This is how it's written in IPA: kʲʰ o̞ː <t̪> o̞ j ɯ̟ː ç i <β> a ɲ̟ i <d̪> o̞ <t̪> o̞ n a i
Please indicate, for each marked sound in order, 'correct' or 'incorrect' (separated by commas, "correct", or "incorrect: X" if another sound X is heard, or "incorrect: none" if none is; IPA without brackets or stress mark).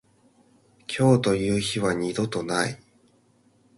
correct, correct, correct, correct